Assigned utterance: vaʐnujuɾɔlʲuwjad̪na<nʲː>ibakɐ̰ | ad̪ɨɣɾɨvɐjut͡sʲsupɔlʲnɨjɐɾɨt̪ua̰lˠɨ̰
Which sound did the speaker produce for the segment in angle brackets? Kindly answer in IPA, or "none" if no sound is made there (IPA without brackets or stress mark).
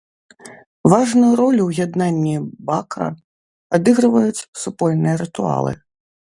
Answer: nʲː